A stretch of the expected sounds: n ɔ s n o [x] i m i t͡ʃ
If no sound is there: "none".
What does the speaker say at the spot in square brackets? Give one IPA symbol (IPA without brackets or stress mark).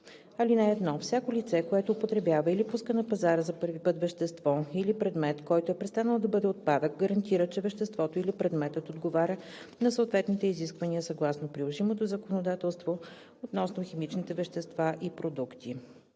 x